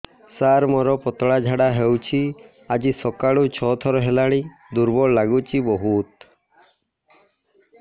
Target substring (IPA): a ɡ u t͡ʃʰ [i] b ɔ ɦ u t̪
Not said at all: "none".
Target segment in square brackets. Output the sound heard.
i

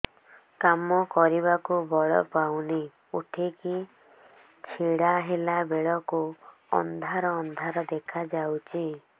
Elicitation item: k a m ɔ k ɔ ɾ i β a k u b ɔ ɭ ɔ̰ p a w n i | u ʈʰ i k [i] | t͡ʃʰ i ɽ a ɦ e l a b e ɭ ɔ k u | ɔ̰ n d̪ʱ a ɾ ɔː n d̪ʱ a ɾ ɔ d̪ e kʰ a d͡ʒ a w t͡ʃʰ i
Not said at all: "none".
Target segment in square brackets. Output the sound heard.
i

